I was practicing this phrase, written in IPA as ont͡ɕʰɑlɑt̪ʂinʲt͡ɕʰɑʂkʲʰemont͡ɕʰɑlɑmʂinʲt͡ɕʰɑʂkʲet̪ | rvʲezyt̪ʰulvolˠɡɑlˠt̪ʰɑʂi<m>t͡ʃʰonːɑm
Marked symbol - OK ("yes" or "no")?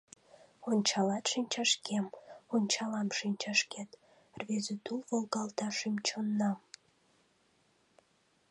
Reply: yes